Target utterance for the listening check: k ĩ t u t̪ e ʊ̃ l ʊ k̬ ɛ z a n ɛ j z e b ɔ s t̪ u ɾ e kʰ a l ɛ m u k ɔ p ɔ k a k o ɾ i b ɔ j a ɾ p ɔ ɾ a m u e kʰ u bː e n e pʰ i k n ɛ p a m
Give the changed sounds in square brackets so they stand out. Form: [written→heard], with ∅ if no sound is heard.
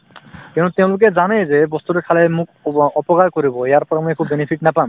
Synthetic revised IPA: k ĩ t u t̪ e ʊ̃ l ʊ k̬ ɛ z a n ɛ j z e b ɔ s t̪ u ɾ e kʰ a l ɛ m u k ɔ p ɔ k a k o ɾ i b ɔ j a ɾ p ɔ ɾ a m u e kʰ u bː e n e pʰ i k n [ɛ→a] p a m